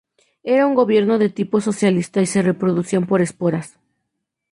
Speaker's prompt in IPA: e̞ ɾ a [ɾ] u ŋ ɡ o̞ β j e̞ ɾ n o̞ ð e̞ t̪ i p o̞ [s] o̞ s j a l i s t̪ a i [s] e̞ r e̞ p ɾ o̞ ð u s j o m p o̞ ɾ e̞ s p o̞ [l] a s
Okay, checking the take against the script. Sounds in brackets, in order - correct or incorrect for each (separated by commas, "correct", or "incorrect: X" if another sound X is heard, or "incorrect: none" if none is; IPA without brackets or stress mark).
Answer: incorrect: none, correct, correct, incorrect: ɾ